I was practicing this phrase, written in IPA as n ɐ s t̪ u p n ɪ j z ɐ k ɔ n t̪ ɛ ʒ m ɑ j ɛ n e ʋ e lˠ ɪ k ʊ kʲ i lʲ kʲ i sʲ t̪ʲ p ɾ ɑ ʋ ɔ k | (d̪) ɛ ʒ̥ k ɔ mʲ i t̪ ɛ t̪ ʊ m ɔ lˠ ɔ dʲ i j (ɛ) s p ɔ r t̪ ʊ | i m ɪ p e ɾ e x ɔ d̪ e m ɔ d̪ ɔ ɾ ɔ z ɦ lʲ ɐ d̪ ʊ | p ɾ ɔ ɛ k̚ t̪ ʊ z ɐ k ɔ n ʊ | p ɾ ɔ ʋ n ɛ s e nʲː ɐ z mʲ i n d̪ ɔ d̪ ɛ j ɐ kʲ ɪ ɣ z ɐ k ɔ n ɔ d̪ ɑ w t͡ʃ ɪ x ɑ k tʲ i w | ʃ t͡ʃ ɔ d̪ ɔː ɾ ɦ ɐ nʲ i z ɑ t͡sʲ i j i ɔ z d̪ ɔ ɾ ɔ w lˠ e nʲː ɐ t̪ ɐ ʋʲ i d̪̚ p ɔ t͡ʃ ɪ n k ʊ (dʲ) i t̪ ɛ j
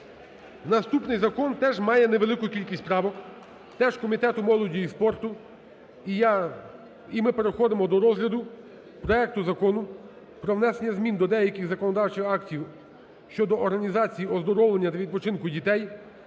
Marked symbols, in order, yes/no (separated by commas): no, no, yes